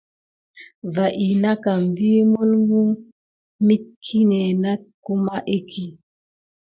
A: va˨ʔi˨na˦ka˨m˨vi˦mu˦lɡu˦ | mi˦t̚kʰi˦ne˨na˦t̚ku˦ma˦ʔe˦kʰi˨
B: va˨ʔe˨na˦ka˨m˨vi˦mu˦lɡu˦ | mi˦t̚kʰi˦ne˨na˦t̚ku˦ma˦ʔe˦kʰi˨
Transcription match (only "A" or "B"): A